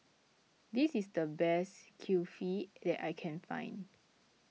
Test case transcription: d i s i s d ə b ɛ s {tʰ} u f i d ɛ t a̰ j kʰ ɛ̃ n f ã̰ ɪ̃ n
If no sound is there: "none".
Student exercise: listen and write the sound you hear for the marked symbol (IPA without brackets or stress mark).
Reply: kʰ